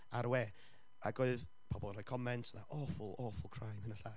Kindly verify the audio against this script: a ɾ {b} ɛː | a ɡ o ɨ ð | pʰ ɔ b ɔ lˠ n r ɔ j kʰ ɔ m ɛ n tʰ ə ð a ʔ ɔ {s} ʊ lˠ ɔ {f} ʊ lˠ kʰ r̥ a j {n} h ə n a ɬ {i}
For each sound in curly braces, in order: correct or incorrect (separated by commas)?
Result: incorrect, incorrect, correct, incorrect, incorrect